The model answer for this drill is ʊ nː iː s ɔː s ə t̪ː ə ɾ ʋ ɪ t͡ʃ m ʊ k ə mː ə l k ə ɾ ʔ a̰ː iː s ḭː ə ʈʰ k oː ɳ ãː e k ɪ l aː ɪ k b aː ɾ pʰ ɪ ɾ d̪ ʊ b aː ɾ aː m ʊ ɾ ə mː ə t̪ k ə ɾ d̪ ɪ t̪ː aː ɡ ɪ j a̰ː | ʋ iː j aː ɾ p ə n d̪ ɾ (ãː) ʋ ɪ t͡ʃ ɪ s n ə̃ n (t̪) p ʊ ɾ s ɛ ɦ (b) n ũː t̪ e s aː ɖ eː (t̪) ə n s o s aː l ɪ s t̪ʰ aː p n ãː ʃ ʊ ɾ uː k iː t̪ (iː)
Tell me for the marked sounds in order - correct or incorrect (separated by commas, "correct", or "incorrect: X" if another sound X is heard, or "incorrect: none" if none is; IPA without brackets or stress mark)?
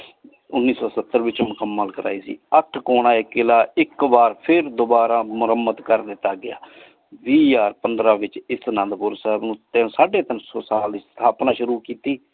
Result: incorrect: aː, incorrect: d̪, correct, correct, correct